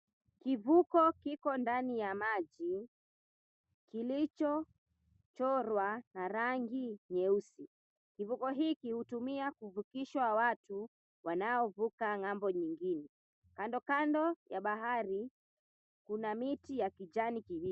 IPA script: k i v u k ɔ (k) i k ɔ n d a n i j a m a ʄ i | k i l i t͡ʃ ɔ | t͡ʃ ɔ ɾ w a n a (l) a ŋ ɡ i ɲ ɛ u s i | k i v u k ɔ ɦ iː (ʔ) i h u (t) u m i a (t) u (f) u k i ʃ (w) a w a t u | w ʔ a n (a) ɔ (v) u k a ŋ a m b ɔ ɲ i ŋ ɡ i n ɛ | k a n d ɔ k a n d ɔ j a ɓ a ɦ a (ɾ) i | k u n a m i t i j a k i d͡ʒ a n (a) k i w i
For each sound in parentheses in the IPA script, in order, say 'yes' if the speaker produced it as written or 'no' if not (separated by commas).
yes, no, no, yes, no, no, yes, yes, yes, yes, no